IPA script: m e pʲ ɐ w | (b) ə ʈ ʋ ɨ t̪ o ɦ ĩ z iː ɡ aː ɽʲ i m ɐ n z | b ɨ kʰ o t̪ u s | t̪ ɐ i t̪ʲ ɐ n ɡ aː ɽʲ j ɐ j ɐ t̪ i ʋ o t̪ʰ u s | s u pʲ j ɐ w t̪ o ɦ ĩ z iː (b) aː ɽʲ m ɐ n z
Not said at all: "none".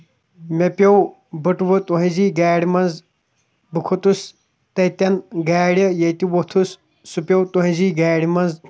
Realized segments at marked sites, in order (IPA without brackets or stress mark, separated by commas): b, ɡ